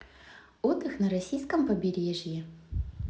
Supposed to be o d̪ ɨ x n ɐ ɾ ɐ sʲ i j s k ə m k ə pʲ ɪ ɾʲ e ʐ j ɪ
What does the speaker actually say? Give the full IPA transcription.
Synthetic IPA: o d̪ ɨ x n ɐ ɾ ɐ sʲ i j s k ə m p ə bʲ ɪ ɾʲ e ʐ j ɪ

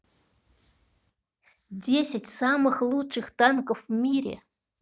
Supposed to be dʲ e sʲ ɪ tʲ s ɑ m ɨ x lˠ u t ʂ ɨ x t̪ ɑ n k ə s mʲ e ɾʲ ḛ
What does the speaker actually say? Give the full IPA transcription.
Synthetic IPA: dʲ e sʲ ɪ tʲ s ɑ m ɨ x lˠ u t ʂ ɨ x t̪ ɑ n k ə f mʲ i ɾʲ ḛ

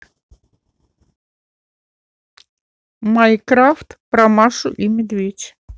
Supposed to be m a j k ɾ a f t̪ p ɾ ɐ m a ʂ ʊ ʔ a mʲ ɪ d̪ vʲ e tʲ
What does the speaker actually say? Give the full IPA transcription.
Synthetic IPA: m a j k ɾ a f t̪ p ɾ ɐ m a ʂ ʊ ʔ i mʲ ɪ d̪ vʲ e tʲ

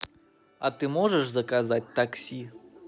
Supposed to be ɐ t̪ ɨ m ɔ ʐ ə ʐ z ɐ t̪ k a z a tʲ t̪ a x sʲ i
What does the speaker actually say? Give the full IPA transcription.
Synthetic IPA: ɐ t̪ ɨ m ɔ ʐ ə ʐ z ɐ k a z a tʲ t̪ a k sʲ i

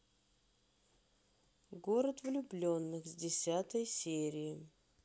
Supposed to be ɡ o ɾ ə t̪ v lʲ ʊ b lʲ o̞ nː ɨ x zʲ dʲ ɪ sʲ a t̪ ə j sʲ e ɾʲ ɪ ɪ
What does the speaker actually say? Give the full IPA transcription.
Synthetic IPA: ɡ o ɾ ə t̪ v lʲ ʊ b lʲ o̞ nː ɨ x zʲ dʲ ɪ sʲ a t̪ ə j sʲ e ɾʲ ɪ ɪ

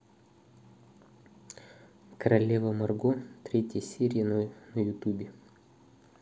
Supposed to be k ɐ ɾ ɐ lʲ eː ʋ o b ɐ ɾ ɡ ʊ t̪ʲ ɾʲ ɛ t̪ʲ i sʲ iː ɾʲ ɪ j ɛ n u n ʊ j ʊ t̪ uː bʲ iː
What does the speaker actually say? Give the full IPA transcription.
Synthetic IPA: k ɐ ɾ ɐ lʲ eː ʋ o m ɐ ɾ ɡ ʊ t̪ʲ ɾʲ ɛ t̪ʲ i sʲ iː ɾʲ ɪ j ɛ n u n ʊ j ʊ t̪ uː bʲ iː

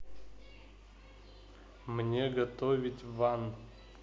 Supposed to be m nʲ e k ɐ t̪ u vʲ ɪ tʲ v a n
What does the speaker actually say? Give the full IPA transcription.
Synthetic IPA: m nʲ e ɡ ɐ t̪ o vʲ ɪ tʲ v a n

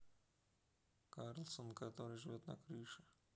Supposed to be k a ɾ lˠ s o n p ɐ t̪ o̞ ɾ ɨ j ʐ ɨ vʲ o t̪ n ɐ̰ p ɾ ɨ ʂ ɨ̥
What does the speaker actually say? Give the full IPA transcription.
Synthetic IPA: k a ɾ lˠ s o n k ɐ t̪ o̞ ɾ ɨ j ʐ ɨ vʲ o t̪ n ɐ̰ k ɾ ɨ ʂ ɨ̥

